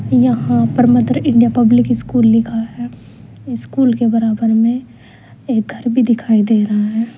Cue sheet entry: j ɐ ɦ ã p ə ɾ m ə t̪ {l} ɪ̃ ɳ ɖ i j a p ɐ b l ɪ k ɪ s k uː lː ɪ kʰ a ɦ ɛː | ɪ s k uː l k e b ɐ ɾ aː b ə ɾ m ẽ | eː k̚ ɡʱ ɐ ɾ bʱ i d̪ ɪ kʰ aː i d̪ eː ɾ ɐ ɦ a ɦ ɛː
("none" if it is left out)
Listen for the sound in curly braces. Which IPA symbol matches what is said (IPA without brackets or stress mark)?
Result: ɾ